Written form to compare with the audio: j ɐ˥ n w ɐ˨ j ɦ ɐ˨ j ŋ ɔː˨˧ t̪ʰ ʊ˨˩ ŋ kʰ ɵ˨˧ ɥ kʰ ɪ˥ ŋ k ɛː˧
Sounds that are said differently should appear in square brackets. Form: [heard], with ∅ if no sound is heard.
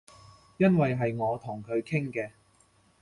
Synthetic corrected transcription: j ɐ˥ n w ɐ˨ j ɦ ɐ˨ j ŋ ɔː˨˧ t̪ʰ ʊ˨˩ ŋ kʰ ɵ˨˧ ɥ kʰ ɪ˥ ŋ k ɛː˧